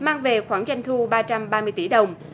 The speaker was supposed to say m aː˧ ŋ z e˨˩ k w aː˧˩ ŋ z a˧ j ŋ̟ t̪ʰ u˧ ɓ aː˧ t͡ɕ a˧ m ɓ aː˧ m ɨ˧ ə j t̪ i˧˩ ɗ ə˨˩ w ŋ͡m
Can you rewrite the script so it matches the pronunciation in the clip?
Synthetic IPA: m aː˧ ŋ v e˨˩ x w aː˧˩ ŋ z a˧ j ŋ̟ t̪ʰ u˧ ɓ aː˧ t͡ɕ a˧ m ɓ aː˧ m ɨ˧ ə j t̪ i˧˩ ɗ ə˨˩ w ŋ͡m

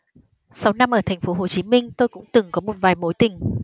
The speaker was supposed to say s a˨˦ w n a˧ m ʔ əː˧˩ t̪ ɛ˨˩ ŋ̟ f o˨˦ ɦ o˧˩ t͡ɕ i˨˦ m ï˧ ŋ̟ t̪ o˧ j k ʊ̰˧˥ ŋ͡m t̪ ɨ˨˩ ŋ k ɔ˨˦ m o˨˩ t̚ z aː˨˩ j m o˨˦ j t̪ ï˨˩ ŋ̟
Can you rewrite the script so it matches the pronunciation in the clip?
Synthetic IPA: s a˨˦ w n a˧ m ʔ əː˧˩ t̪ʰ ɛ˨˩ ŋ̟ f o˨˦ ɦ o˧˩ t͡ɕ i˨˦ m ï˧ ŋ̟ t̪ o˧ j k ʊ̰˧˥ ŋ͡m t̪ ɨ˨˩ ŋ k ɔ˨˦ m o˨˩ t̚ v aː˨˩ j m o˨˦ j t̪ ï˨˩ ŋ̟

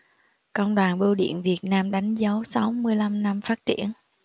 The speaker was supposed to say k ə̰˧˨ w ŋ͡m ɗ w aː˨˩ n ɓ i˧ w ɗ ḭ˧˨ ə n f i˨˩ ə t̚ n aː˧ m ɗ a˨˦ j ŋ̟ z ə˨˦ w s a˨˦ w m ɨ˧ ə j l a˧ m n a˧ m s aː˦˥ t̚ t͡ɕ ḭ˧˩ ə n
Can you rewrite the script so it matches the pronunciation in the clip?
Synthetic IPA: k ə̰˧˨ w ŋ͡m ɗ w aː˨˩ n ɓ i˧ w ɗ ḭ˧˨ ə n v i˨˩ ə t̚ n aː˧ m ɗ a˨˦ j ŋ̟ z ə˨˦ w s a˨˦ w m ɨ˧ ə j l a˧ m n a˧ m f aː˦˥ t̚ t͡ɕ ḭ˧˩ ə n

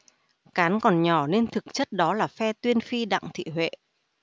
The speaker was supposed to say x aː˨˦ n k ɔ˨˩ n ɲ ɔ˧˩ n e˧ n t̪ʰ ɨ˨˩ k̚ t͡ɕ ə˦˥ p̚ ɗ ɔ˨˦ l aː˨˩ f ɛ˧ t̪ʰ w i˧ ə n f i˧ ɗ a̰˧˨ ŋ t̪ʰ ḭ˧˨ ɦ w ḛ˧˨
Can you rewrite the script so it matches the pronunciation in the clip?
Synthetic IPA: k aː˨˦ n k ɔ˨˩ n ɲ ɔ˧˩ n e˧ n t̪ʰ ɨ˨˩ k̚ t͡ɕ ə˦˥ t̚ ɗ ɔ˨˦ l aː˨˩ f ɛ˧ t̪ w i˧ ə n f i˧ ɗ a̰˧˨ ŋ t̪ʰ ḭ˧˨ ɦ w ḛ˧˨

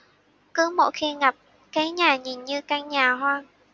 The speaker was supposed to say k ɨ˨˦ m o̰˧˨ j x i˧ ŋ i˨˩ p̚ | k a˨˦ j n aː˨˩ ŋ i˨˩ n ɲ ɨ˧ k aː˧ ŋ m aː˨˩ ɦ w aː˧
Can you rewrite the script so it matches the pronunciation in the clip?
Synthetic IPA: k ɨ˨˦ m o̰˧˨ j x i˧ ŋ a˨˩ p̚ | k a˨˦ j ɲ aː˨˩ ɲ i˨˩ n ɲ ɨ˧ k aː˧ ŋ ɲ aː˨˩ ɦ w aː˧

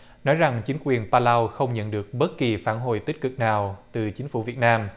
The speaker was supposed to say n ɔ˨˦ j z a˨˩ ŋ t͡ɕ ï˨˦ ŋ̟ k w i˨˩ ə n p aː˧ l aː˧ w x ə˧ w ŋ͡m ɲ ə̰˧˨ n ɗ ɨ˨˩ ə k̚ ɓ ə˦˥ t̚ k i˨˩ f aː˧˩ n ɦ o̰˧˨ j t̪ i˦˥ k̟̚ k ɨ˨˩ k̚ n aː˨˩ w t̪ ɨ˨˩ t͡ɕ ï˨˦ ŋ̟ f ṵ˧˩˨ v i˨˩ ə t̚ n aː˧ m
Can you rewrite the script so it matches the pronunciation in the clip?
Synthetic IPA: n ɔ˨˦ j z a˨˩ ŋ t͡ɕ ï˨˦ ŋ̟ k w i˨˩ ə n p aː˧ l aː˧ w x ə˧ w ŋ͡m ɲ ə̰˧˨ n ɗ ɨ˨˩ ə k̚ ɓ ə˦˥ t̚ k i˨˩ f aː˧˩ n ɦ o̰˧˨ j t̪ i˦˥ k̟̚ k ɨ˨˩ k̚ n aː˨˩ w t̪ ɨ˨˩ t͡ɕ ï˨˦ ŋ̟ f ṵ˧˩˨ v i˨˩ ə t̚ n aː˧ m

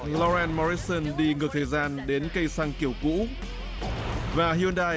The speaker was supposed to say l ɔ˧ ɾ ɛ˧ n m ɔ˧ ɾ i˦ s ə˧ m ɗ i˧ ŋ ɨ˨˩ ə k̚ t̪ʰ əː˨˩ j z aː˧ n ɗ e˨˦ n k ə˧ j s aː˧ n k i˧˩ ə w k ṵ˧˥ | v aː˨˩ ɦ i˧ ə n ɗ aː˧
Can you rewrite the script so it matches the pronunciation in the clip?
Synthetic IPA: l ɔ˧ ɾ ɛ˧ n m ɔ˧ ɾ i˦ s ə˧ n ɗ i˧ ŋ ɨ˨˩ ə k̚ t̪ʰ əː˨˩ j z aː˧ n ɗ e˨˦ n k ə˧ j s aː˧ ŋ k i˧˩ ə w k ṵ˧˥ | v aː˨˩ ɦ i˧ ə n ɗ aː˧

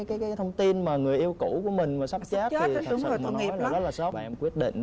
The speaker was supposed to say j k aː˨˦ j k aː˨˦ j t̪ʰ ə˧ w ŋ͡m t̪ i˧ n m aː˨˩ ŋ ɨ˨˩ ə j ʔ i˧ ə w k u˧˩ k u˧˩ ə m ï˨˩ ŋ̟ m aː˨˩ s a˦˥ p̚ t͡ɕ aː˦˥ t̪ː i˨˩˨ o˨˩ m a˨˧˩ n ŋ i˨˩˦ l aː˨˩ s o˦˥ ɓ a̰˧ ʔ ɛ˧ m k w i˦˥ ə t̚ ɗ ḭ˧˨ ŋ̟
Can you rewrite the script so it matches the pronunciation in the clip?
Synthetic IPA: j k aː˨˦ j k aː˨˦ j t̪ʰ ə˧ w ŋ͡m t̪ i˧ n m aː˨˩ ŋ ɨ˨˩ ə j ʔ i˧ ə w k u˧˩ k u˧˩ ə m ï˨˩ ŋ̟ m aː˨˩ s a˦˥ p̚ t͡ɕ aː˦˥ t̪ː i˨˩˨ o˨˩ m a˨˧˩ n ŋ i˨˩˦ l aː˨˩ s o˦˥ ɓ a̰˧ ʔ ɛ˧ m k w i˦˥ ə t̚ ɗ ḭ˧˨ ŋ̟

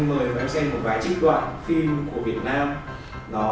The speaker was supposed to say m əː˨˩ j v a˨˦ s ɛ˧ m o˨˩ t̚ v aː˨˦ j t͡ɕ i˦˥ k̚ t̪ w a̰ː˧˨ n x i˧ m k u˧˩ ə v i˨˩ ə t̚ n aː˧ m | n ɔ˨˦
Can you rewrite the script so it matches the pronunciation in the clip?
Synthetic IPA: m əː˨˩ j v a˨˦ s ɛ˧ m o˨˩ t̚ v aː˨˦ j t͡ɕ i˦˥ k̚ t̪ w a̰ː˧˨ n f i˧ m k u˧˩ ə v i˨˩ ə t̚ n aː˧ m | n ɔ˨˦

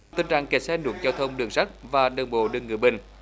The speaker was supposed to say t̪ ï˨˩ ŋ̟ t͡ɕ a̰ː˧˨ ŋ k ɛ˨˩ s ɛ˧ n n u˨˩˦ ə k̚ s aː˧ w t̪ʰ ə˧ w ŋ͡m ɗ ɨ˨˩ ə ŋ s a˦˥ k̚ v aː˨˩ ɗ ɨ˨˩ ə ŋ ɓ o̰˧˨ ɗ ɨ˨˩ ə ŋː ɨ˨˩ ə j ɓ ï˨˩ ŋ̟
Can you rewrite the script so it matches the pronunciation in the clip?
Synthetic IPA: t̪ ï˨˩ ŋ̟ t͡ɕ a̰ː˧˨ ŋ k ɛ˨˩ s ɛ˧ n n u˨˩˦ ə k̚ z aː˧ w t̪ʰ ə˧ w ŋ͡m ɗ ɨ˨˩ ə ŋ s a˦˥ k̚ v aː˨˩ ɗ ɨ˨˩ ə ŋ ɓ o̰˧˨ ɗ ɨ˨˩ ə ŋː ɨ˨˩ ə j ɓ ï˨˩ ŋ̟

